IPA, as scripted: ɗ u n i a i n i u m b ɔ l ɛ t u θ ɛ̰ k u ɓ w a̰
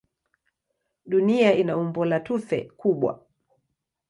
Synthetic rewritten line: ɗ u n i a i n a u m b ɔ l a t u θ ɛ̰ k u ɓ w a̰